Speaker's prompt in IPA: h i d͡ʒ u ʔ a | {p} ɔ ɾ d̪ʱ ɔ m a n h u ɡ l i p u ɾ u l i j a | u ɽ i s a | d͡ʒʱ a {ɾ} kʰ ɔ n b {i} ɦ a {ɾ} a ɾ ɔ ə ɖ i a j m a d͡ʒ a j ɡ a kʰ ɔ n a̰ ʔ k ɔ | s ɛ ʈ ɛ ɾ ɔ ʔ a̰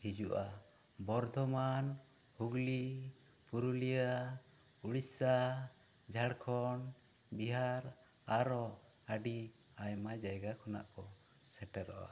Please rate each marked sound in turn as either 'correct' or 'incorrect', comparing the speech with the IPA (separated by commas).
incorrect, incorrect, correct, correct